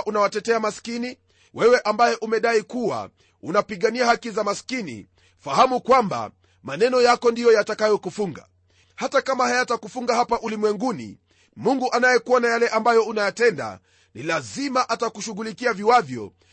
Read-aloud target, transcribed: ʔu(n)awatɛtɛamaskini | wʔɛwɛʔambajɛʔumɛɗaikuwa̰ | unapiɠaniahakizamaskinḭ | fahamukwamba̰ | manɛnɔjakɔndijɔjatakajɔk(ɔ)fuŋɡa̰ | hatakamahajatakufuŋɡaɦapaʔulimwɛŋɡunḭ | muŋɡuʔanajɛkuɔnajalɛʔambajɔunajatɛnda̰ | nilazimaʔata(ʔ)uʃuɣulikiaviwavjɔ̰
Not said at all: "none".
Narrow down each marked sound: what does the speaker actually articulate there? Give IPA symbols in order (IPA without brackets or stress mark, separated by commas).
n, u, k